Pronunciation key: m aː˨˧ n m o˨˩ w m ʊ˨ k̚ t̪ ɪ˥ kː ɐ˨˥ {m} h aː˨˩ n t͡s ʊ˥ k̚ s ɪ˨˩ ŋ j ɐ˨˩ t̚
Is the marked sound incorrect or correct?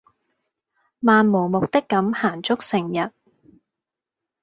correct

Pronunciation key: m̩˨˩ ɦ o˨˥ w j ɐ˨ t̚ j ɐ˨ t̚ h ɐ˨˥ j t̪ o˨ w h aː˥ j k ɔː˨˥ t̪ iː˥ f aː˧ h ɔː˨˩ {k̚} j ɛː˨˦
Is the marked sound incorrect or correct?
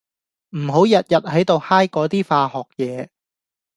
correct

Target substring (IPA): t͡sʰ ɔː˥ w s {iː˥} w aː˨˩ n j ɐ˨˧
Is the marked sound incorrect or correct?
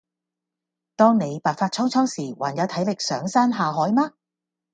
incorrect: iː˨˩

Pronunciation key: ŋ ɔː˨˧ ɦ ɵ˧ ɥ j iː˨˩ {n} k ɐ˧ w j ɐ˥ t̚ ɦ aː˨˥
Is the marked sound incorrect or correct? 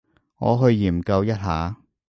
incorrect: m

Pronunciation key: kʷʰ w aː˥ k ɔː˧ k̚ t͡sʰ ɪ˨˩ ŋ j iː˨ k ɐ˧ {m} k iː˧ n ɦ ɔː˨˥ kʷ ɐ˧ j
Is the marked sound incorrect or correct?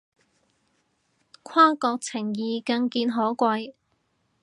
incorrect: ŋ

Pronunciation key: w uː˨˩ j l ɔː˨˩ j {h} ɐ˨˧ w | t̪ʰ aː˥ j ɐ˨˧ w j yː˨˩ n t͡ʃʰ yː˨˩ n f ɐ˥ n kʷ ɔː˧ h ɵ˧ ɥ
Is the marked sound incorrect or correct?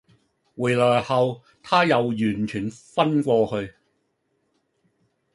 correct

